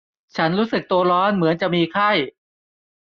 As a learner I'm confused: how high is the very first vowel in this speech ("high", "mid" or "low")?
low